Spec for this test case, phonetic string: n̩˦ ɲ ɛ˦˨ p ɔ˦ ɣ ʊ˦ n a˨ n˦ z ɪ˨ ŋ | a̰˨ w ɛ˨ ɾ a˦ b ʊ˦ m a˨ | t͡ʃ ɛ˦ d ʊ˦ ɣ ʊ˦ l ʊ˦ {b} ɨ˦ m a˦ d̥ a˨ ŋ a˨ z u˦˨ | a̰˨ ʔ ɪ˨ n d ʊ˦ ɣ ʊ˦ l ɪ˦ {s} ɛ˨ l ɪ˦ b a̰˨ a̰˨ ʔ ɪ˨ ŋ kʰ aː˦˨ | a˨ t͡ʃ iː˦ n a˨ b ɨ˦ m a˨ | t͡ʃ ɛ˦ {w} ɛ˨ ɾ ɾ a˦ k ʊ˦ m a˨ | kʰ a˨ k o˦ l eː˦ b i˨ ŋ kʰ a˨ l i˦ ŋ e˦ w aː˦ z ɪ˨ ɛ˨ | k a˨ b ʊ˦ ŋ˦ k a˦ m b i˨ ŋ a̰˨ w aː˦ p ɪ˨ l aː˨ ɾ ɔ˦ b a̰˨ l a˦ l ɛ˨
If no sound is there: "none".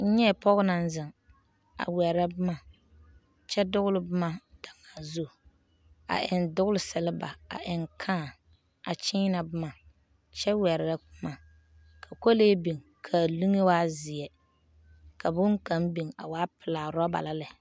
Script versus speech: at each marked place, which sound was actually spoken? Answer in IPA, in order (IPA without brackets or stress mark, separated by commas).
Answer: b, s, w